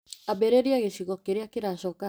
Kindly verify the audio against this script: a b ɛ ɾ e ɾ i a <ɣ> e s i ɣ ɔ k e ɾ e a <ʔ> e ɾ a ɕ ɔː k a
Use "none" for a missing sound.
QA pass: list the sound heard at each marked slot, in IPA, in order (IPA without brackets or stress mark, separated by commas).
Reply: ɣ, k